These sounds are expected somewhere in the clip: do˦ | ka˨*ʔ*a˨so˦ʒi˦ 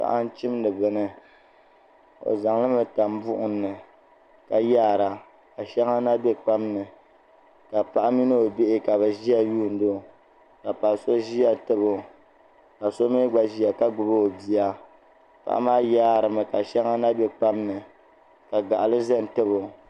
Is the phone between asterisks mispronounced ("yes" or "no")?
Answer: yes